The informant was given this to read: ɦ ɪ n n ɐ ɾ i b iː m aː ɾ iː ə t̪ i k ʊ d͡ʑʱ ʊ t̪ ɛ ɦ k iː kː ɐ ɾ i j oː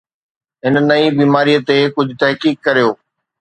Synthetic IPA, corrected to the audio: ɦ ɪ n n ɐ i b iː m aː ɾ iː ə t̪ e k ʊ d͡ʑʱ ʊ t̪ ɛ ɦ k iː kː ɐ ɾ i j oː